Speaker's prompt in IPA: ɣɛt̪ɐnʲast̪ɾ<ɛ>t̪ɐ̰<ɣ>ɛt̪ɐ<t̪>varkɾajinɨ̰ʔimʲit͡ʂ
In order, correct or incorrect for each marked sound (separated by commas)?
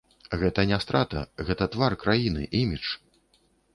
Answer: incorrect, correct, correct